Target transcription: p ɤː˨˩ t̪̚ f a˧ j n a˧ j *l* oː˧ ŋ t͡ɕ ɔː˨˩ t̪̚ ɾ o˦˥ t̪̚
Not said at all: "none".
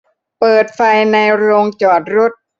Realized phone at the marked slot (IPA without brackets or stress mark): ɾ